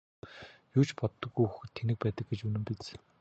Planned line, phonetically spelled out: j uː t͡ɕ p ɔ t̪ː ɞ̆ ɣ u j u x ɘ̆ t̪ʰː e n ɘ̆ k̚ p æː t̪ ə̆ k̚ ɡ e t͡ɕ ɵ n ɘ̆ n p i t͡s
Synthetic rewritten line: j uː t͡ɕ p ɔ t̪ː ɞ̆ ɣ u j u x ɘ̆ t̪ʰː e n ɘ̆ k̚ p æː t̪ ə̆ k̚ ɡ e t͡ɕ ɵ n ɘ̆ m p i t͡s